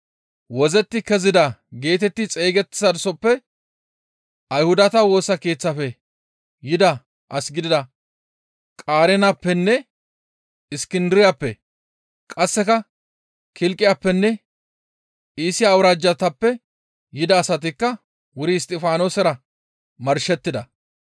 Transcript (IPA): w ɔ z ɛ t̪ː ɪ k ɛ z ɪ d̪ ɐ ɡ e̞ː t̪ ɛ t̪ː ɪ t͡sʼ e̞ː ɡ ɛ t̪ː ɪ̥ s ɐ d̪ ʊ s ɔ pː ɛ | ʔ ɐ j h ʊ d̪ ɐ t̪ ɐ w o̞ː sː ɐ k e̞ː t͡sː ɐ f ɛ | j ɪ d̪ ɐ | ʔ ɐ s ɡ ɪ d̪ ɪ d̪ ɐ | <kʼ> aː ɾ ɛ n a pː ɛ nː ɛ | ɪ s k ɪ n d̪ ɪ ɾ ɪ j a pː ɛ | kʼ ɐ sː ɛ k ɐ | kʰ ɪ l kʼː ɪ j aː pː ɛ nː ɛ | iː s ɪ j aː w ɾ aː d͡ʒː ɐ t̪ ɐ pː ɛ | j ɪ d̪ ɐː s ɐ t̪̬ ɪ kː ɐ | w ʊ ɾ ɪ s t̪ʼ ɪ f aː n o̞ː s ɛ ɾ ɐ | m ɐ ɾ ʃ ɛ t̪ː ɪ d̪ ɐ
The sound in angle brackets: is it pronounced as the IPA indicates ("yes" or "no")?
yes